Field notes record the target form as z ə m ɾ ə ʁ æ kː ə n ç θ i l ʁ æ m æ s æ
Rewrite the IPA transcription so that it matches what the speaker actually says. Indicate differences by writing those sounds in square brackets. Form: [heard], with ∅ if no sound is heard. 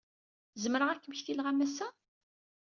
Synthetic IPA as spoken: z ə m ɾ ə ʁ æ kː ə [m] ç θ i l ʁ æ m æ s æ